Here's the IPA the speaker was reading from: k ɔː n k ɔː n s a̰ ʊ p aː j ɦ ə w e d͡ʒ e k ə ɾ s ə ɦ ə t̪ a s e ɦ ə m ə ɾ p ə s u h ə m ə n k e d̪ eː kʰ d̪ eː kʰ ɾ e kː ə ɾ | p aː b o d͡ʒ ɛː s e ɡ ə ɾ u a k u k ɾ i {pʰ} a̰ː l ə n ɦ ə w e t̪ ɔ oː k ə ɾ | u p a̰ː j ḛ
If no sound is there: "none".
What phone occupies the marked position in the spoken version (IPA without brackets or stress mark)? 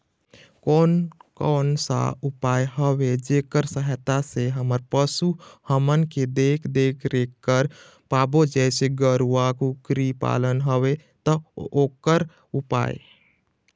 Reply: p